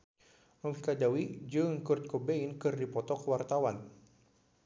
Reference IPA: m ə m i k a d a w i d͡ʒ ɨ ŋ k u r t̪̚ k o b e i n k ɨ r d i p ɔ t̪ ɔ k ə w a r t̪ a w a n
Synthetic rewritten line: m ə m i k a d a w i d͡ʒ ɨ ŋ k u r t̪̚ k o b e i n k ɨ r d i p ɔ t̪ ɔ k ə w a r t̪ a w a n